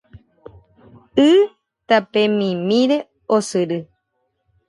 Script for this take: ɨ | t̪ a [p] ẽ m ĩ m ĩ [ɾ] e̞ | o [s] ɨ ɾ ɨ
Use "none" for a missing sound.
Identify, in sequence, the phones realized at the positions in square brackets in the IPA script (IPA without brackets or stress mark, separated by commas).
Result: p, ɾ, s